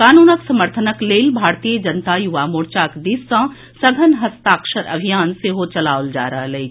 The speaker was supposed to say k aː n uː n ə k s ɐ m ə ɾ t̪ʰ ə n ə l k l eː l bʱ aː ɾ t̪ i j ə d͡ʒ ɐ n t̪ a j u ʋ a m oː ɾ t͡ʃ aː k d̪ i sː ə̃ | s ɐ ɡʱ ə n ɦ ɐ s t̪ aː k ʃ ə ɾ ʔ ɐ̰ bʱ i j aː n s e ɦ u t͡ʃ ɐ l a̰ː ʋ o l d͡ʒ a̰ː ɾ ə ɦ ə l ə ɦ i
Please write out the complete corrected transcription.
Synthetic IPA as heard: k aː n uː n ə k s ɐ m ə ɾ t̪ʰ ə n ə k l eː l bʱ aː ɾ t̪ i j ə d͡ʒ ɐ n t̪ a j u ʋ a m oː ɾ t͡ʃ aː k d̪ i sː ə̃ | s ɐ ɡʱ ə n ɦ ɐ s t̪ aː k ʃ ə ɾ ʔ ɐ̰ bʱ i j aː n s e ɦ o t͡ʃ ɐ l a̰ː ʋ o l d͡ʒ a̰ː ɾ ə ɦ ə l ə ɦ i

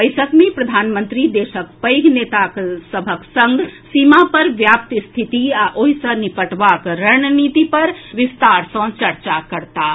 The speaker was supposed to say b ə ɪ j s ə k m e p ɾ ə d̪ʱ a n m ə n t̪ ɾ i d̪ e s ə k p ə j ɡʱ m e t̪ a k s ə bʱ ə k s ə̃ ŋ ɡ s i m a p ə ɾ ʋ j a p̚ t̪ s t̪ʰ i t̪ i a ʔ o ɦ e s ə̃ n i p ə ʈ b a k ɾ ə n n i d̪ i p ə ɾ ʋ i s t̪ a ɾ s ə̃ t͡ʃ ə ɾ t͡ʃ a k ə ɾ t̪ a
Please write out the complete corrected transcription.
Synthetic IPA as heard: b ə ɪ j s ə k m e p ɾ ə d̪ʱ a n m ə n t̪ ɾ i d̪ e s ə k p ə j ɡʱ n e t̪ a k s ə bʱ ə k s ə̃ ŋ ɡ s i m a p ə ɾ ʋ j a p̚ t̪ s t̪ʰ i t̪ i a ʔ o ɦ i s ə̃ n i p ə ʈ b a k ɾ ə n n i t̪ i p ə ɾ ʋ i s t̪ a ɾ s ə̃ t͡ʃ ə ɾ t͡ʃ a k ə ɾ t̪ a

